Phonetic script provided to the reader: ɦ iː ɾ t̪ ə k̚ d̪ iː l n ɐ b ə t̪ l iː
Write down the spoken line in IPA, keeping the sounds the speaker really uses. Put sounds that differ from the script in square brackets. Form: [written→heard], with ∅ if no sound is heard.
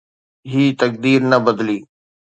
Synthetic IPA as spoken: ɦ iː [ɾ→∅] t̪ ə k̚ d̪ iː [l→ɾ] n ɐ b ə [t̪→d̪] l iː